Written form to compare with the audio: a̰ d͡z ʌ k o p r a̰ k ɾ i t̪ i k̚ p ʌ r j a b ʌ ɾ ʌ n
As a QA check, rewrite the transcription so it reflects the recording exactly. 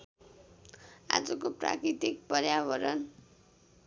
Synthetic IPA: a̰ d͡z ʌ k o p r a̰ k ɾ i t̪ i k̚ p ʌ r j a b ʌ ɾ ʌ n